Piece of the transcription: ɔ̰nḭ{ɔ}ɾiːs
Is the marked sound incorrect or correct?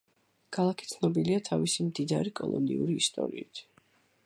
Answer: incorrect